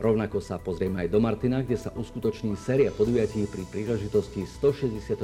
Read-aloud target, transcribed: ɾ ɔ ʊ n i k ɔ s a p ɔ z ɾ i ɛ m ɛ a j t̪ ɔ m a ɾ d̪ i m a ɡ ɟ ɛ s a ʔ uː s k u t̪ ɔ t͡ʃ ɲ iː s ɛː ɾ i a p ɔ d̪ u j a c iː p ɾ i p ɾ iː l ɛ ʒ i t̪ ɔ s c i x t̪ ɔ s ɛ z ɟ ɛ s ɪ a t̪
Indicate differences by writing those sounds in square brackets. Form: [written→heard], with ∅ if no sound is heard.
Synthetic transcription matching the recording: ɾ ɔ ʊ n [i→a] k ɔ s a p ɔ z ɾ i ɛ m ɛ a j [t̪→d̪] ɔ m a ɾ [d̪→t̪] i [m→n] a ɡ ɟ ɛ s a ʔ [uː→u] s k u t̪ ɔ t͡ʃ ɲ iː s ɛː ɾ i a p ɔ d̪ u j a c iː p ɾ i p ɾ iː l ɛ ʒ i t̪ ɔ s c i [x→s] t̪ ɔ [s→ʃ] ɛ z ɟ ɛ s ɪ a t̪